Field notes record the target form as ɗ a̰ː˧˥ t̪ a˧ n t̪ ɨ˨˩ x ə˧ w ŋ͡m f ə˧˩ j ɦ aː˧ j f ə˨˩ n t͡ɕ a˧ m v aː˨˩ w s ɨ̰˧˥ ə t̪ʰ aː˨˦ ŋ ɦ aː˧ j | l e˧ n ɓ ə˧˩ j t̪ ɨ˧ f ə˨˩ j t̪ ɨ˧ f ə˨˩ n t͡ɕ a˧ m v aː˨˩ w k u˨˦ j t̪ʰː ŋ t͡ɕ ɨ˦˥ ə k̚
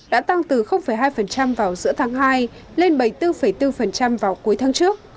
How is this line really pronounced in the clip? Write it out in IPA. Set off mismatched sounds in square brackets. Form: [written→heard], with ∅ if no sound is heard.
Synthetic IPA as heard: ɗ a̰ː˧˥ t̪ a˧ [n→ŋ] t̪ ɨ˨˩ x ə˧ w ŋ͡m f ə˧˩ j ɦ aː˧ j f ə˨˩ n t͡ɕ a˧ m v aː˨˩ w [s→z] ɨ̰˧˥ ə t̪ʰ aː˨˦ ŋ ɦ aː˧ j | l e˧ n ɓ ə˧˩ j t̪ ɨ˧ f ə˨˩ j t̪ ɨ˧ f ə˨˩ n t͡ɕ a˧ m v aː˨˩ w k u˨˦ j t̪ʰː ŋ t͡ɕ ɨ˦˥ ə k̚